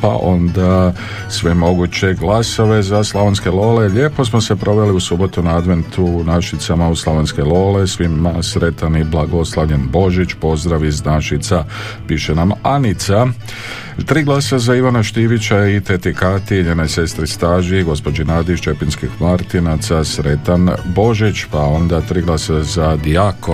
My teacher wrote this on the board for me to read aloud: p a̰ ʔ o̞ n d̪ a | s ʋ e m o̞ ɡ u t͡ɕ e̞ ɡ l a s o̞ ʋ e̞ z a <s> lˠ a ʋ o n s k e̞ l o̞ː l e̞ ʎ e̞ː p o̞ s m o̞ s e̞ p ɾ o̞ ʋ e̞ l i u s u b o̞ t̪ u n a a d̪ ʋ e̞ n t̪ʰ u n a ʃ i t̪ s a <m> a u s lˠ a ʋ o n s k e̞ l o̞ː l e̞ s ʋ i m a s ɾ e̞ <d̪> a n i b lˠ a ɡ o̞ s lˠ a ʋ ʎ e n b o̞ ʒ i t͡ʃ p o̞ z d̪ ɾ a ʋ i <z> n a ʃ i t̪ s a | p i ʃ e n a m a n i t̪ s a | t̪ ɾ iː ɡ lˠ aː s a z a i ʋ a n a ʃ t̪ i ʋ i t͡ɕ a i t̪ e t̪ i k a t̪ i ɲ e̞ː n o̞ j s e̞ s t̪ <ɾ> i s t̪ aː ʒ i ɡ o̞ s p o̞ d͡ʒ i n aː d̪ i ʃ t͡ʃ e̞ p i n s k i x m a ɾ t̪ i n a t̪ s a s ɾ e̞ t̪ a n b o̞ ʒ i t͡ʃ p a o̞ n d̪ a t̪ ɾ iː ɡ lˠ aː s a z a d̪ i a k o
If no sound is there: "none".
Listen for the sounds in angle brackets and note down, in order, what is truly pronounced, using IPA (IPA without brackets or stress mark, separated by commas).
s, m, t̪, z, ɾ